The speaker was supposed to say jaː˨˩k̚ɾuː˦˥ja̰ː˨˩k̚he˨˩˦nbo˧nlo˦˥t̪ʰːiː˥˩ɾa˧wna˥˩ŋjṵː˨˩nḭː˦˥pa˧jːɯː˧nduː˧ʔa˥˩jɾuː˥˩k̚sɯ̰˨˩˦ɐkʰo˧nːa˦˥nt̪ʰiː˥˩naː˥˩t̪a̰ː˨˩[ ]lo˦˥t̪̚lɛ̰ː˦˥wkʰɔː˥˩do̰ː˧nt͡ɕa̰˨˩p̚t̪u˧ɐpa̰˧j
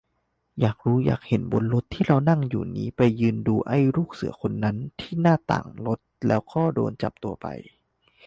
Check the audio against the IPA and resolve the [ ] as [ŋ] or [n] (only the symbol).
ŋ